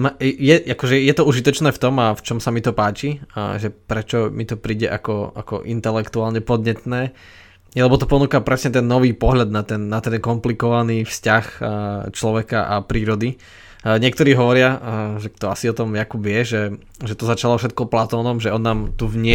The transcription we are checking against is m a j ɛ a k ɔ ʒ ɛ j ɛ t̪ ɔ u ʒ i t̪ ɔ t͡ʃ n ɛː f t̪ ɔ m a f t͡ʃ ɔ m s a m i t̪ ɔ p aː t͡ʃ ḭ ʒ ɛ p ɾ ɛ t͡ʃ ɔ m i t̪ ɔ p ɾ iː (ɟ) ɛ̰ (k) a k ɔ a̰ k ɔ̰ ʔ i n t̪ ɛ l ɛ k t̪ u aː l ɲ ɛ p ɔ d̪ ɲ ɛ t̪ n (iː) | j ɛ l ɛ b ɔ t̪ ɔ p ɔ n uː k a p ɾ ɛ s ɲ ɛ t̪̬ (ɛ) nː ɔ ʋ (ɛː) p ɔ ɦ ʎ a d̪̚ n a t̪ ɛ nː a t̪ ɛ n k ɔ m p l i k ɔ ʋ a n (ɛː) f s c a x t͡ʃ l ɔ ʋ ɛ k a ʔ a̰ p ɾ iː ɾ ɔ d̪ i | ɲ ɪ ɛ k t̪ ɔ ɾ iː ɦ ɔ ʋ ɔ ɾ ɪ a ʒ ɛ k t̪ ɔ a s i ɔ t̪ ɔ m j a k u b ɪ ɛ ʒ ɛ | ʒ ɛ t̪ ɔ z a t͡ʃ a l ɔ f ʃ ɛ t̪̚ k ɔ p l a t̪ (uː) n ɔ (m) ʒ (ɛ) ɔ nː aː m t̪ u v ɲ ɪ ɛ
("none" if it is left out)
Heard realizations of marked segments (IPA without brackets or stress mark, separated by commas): ɟ, ʔ, ɛː, ɛ, iː, iː, ɔː, m, ɛ